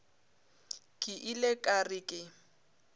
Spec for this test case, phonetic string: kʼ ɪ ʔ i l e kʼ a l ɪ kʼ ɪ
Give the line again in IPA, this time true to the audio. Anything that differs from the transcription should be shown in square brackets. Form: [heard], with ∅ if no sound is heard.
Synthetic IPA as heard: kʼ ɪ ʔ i l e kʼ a [r] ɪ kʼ ɪ